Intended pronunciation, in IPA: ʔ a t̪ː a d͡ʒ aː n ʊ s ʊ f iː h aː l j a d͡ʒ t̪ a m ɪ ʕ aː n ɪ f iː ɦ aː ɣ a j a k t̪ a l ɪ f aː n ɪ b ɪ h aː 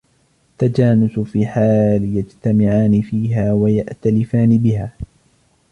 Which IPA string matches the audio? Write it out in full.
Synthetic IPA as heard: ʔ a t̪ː a d͡ʒ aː n ʊ s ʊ f iː ħ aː l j a d͡ʒ t̪ a m ɪ ʕ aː n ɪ f iː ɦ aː w a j a ʔ t̪ a l ɪ f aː n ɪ b ɪ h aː